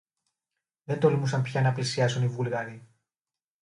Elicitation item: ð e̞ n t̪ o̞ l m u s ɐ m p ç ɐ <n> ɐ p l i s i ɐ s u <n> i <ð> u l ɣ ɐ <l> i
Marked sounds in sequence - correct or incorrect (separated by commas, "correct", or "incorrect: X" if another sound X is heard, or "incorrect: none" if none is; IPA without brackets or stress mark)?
correct, correct, incorrect: v, incorrect: ɾ